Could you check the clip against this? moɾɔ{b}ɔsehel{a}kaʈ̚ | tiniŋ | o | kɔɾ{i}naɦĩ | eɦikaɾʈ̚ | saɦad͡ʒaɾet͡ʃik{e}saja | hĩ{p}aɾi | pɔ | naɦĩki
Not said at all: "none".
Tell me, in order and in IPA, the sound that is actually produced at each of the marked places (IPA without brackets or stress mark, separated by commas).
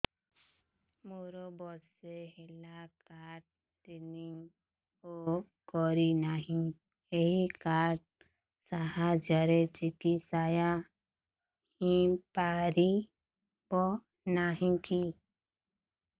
b, a, i, i, p